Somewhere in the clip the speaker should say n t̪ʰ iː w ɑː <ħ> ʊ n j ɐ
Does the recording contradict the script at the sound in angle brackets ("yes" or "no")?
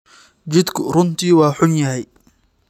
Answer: no